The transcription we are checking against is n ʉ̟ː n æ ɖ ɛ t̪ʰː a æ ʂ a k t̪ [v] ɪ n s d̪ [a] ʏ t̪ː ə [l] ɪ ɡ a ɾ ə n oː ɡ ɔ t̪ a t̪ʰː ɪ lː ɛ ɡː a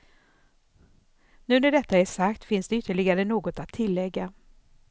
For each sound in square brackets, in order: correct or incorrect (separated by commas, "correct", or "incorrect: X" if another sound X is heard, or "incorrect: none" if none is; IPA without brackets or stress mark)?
incorrect: f, incorrect: ɛ, incorrect: ɭ